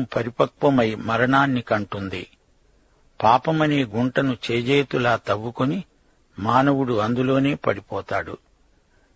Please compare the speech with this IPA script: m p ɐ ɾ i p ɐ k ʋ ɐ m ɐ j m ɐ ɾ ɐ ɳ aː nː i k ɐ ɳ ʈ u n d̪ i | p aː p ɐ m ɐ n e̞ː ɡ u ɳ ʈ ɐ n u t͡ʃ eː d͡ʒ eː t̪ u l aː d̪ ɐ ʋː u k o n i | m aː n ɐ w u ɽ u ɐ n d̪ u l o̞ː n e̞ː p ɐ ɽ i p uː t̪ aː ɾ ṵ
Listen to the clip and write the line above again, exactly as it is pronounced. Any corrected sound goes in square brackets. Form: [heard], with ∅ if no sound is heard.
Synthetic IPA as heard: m p ɐ ɾ i p ɐ k ʋ ɐ m ɐ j m ɐ ɾ ɐ ɳ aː nː i k ɐ ɳ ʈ u n d̪ i | p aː p ɐ m ɐ n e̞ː ɡ u ɳ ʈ ɐ n u t͡ʃ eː d͡ʒ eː t̪ u l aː [t̪] ɐ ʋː u k o n i | m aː n ɐ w u ɽ u ɐ n d̪ u l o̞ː n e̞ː p ɐ ɽ i p [ɔː] t̪ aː [ɽ] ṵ